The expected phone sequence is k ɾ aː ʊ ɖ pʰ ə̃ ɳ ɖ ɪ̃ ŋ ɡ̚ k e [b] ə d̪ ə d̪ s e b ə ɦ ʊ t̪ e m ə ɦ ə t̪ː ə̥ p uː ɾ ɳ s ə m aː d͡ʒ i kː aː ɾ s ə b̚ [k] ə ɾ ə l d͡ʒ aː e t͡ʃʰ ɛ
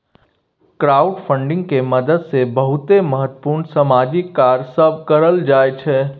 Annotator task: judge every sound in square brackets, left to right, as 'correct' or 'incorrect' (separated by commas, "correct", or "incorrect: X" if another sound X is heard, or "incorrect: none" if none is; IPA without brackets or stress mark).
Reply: incorrect: m, correct